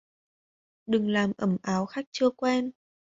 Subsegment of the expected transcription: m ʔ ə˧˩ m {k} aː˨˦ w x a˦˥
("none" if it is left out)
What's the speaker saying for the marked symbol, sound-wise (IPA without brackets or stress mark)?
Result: ʔ